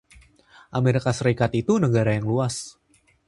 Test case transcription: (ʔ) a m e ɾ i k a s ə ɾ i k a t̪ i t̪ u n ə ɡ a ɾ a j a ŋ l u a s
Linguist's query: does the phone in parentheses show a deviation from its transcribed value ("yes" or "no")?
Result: no